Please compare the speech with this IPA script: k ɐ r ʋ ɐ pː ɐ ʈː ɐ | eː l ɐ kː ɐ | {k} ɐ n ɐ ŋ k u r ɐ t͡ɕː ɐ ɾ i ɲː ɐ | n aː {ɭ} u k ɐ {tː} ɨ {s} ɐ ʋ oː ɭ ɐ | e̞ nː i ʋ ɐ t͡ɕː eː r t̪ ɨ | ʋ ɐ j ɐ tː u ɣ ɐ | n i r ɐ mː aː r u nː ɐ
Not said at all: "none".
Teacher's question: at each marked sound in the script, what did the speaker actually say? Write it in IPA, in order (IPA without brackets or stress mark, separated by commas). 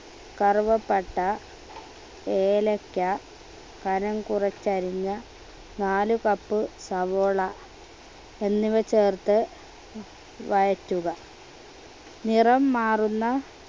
k, l, pː, s